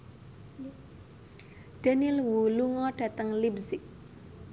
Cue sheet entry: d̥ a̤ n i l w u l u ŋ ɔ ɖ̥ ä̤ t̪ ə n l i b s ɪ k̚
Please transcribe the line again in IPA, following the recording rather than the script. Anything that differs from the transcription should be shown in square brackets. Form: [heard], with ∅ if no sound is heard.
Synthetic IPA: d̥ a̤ n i l w u l u ŋ ɔ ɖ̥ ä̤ t̪ ə [ŋ] l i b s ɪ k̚